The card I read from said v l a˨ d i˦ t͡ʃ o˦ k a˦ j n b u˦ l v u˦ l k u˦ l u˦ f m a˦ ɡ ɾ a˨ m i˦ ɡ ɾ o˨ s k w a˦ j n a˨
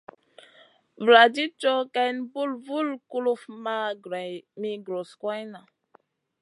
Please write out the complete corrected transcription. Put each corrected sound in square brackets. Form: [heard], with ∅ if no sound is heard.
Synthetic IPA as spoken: v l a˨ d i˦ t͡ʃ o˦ k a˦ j n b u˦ l v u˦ l k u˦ l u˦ f m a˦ ɡ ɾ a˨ m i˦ ɡ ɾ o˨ s k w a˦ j n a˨